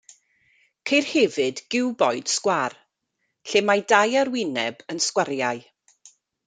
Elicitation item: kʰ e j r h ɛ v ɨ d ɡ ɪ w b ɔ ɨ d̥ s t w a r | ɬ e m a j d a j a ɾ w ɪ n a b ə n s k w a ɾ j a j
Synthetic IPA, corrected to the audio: kʰ e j r h ɛ v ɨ d ɡ ɪ w b ɔ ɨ d̥ s k w a r | ɬ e m a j d a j a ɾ w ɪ n ɛ b ə n s k w a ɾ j a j